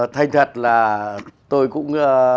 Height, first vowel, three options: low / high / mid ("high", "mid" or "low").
low